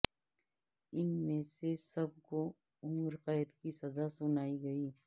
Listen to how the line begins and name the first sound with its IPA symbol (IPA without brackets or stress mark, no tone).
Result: ɪ